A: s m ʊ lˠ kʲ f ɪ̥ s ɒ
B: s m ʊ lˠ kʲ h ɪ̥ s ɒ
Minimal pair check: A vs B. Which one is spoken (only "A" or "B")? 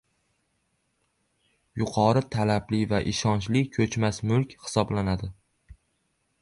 B